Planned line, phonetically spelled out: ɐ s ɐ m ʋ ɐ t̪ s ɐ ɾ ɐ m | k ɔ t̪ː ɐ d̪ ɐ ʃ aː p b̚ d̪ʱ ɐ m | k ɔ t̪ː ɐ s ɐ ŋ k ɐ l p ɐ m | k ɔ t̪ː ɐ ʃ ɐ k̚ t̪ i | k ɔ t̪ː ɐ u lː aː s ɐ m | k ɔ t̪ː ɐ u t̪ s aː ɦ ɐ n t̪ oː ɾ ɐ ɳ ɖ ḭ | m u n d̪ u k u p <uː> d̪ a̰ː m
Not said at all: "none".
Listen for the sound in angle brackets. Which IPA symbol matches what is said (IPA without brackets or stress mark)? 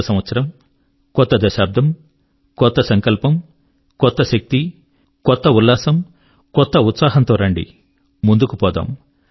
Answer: ɔː